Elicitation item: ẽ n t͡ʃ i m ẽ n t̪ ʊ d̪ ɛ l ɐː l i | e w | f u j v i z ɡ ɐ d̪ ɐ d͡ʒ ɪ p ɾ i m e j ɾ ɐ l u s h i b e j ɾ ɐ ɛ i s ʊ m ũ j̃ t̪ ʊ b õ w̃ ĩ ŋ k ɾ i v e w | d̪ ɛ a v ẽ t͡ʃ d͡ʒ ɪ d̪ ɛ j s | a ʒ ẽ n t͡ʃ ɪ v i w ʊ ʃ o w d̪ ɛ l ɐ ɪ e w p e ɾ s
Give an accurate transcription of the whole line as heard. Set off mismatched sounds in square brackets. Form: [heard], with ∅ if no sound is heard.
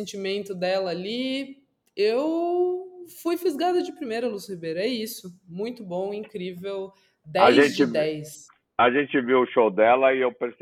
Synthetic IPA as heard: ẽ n t͡ʃ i m ẽ n t̪ ʊ d̪ ɛ l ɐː l i | e w | f u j [f] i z ɡ [a] d̪ ɐ d͡ʒ ɪ p ɾ i m e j ɾ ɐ l u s h i b e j ɾ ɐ ɛ i s ʊ m ũ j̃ t̪ ʊ b õ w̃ ĩ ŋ k ɾ i v e w | d̪ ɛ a [ʒ] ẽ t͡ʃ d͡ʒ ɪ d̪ ɛ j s | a ʒ ẽ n t͡ʃ ɪ v i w ʊ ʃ o w d̪ ɛ l ɐ ɪ e w p e ɾ s